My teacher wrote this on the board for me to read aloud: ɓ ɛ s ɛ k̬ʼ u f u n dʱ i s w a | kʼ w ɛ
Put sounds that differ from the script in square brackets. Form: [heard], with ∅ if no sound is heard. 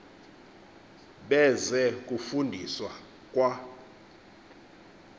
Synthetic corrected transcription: ɓ ɛ [z] ɛ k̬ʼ u f u n dʱ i s w a | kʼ w [a]

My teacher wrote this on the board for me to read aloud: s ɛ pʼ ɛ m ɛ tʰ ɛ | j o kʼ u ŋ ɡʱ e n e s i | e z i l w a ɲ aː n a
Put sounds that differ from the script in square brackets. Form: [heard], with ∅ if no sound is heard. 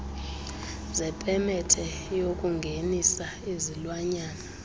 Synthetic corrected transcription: [z] ɛ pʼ ɛ m ɛ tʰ ɛ | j o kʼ u ŋ ɡʱ e n [i] s [a] | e z i l w a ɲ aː n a

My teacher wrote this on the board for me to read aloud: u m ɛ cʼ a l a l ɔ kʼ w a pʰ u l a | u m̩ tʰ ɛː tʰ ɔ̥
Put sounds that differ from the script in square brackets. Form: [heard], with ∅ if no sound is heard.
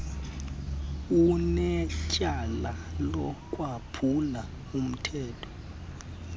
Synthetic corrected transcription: u [n] ɛ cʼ a l a l ɔ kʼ w a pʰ u l a | u m̩ tʰ ɛː tʰ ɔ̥

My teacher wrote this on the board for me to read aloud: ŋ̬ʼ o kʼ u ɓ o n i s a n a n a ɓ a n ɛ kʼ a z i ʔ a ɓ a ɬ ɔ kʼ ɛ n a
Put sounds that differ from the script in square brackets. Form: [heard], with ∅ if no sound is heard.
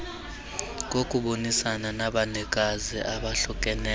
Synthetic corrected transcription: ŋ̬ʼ o kʼ u ɓ o n i s a n a n a ɓ a n ɛ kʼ a z i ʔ a ɓ a ɬ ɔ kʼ ɛ n [ɛ]

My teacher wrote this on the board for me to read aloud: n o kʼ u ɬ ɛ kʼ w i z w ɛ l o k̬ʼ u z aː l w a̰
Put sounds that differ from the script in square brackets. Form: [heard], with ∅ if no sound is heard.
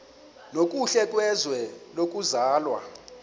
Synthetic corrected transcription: n o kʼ u ɬ ɛ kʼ w [ɛ] z w ɛ l o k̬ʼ u z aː l w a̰

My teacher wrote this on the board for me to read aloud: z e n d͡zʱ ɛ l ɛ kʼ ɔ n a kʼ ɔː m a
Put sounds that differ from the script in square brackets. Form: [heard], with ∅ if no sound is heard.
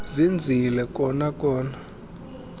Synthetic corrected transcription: z [i] n d͡zʱ [i] l ɛ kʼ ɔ n a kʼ ɔː [n] a

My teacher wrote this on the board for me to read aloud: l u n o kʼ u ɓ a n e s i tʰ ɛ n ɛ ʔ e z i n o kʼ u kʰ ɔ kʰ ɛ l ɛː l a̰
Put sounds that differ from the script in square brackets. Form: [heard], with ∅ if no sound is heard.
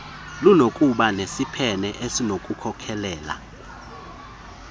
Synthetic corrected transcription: l u n o kʼ u ɓ a n e s i [pʰ] ɛ n ɛ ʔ e [s] i n o kʼ u kʰ ɔ kʰ ɛ l ɛː l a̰

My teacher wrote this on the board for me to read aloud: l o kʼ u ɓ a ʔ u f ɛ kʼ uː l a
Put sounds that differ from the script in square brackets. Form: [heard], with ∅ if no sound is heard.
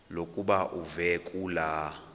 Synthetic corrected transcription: l o kʼ u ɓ a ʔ u [v] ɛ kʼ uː l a

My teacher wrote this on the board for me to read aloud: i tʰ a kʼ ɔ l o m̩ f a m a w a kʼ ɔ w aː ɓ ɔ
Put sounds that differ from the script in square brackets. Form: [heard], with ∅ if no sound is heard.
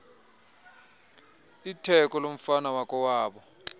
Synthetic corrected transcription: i tʰ [ɛ] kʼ ɔ l o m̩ f a [n] a w a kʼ ɔ w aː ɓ ɔ

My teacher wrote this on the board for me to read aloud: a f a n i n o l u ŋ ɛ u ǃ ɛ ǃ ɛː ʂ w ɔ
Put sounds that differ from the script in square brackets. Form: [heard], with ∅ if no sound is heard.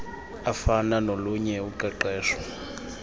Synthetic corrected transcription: a f a n [a] n o l u [ɲ] ɛ u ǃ ɛ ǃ ɛː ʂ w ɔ

